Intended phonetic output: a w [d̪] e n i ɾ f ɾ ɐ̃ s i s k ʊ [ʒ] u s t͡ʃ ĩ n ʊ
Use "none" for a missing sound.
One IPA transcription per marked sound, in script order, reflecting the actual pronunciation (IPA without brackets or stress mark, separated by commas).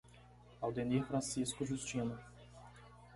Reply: d̪, ʒ